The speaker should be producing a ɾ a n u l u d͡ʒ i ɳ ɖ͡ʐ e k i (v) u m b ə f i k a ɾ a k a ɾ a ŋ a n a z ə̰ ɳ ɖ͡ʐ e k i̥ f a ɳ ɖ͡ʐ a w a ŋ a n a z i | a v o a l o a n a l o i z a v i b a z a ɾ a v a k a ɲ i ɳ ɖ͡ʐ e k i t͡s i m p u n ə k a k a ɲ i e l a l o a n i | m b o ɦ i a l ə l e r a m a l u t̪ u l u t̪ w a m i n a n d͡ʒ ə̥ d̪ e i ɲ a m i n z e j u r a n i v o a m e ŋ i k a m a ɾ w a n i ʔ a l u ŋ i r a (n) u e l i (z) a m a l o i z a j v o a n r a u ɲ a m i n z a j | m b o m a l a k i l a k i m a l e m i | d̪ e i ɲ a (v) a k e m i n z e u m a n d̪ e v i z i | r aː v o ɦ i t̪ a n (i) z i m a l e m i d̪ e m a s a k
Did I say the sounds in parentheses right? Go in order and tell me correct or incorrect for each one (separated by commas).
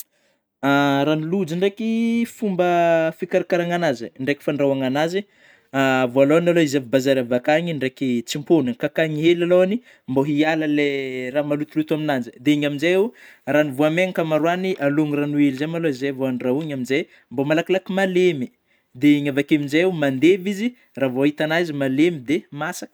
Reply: incorrect, correct, correct, correct, incorrect